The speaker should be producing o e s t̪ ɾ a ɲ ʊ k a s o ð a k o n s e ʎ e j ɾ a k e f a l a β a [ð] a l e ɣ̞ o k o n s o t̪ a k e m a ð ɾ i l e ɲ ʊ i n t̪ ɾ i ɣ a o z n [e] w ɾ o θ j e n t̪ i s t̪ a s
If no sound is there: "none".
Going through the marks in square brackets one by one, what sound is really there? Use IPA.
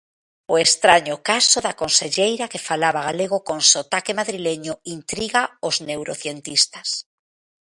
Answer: ɣ, e

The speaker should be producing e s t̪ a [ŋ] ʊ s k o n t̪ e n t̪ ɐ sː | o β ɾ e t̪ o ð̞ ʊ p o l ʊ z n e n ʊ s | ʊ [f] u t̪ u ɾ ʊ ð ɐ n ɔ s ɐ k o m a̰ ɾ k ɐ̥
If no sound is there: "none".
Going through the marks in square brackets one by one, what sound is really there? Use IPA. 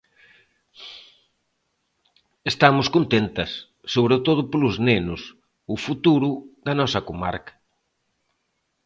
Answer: m, f

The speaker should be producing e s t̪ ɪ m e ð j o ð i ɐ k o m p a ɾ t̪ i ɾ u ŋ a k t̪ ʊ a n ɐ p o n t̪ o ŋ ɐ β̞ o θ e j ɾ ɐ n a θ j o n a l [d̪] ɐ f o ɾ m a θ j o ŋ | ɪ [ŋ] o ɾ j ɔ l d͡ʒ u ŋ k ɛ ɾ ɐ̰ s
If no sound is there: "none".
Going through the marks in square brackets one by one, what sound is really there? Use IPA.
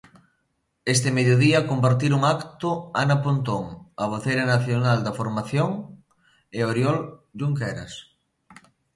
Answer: d̪, none

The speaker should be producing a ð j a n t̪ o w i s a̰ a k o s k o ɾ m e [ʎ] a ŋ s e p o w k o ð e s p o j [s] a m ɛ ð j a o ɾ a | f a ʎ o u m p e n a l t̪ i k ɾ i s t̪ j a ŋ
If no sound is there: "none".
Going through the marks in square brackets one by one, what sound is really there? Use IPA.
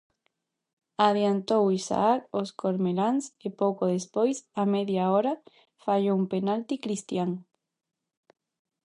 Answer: l, s

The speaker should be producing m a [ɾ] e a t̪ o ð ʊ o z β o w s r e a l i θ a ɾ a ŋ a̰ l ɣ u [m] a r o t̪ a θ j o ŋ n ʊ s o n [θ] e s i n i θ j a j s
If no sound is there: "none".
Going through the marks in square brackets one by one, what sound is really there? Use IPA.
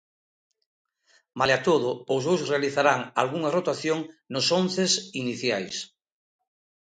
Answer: l, ŋ, θ

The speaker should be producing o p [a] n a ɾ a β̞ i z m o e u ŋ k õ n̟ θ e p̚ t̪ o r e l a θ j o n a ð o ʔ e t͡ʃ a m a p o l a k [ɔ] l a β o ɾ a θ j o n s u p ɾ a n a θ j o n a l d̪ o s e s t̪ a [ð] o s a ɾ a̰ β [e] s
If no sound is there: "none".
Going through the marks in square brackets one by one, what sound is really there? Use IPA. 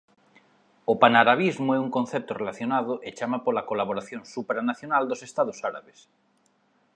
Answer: a, o, ð, e

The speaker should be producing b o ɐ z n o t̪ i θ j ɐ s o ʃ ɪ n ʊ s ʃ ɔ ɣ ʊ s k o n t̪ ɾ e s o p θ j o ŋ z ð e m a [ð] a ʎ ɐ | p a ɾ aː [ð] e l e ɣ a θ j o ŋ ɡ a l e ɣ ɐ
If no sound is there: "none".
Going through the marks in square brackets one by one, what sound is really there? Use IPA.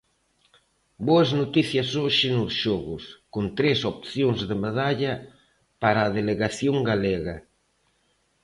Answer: ð, ð

